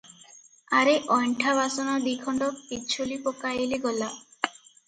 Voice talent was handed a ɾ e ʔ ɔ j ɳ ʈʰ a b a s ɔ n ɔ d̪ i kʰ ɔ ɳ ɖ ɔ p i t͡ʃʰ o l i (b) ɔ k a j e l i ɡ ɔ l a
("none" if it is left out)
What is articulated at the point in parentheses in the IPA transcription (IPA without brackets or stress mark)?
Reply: p